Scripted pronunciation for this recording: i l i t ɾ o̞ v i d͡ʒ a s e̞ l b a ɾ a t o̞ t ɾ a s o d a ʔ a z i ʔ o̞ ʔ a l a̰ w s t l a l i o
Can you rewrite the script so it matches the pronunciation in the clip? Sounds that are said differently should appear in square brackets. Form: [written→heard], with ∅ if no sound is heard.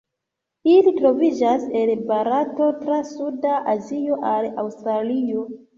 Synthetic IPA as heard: i l i t ɾ o̞ v i d͡ʒ a s e̞ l b a ɾ a t o̞ t ɾ a s [o→u] d a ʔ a z i [ʔ→∅] o̞ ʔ a l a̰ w s t [l→ɾ] a l i o